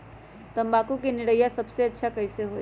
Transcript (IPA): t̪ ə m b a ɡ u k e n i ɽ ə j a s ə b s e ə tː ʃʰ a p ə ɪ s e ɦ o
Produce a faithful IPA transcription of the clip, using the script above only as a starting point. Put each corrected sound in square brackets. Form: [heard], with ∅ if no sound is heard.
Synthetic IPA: t̪ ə m b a [k] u k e n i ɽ ə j a s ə b s e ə tː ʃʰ a [k] ə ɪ s e ɦ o